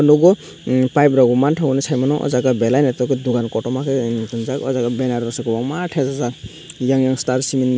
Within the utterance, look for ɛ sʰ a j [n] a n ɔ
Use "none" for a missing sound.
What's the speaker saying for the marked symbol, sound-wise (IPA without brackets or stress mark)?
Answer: m